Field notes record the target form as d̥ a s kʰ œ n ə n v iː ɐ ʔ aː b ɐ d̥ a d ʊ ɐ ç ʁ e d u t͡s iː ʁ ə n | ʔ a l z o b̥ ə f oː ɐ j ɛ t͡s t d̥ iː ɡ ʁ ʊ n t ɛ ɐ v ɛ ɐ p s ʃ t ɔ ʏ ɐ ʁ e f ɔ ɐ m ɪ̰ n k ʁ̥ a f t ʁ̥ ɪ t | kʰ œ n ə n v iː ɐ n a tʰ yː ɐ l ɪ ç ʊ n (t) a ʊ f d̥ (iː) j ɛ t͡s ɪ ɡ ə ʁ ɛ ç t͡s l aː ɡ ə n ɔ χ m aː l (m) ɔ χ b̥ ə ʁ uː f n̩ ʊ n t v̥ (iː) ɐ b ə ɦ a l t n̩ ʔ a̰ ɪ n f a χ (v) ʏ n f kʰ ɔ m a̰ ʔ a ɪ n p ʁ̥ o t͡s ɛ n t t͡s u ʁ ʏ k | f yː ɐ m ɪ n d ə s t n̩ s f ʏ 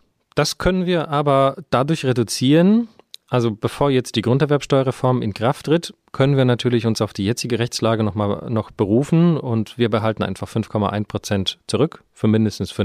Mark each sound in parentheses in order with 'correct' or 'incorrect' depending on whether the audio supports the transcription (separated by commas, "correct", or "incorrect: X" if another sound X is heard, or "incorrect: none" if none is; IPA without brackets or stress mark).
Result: incorrect: s, correct, incorrect: n, correct, incorrect: f